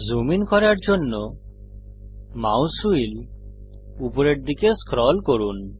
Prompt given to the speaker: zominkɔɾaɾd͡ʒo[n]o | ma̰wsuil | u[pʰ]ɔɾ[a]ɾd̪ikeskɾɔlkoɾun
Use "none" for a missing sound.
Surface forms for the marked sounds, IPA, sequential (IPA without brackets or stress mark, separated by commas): nː, p, e